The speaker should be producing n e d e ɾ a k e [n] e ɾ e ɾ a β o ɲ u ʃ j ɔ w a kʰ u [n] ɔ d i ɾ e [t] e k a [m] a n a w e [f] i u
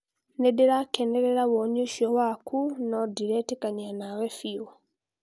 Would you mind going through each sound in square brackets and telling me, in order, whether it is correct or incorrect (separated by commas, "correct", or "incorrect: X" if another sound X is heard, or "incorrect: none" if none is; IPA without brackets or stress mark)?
correct, correct, correct, incorrect: ɲ, correct